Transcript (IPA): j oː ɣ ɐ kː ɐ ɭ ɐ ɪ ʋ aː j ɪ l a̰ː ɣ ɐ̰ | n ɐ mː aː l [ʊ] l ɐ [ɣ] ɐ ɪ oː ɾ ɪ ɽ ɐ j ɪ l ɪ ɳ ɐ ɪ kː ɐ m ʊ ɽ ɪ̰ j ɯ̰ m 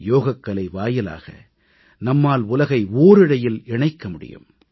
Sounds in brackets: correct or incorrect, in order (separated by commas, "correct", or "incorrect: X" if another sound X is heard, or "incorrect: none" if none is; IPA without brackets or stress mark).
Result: correct, correct